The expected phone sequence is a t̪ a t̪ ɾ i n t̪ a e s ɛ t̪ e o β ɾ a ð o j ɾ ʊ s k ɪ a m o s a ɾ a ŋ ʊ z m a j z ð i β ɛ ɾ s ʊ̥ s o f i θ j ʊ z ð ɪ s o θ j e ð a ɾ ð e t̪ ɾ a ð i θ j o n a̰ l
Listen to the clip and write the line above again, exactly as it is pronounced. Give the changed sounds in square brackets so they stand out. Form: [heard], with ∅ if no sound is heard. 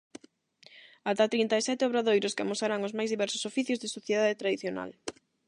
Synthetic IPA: a t̪ a t̪ ɾ i n t̪ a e s ɛ t̪ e o β ɾ a ð o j ɾ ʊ s k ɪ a m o s a ɾ a ŋ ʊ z m a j z ð i β ɛ ɾ s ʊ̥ s o f i θ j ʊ z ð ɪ s o θ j e ð a [∅] ð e t̪ ɾ a ð i θ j o n a̰ l